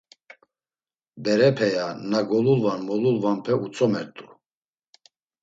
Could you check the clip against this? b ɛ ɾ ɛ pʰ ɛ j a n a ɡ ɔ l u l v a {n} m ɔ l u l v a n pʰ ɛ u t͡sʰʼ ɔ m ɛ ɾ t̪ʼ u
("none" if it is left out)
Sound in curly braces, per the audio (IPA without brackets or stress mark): n